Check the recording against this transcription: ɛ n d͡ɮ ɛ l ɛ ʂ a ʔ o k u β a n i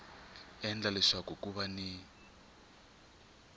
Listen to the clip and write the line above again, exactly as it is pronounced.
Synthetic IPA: ɛ n d͡ɮ a l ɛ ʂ a k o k u β a n i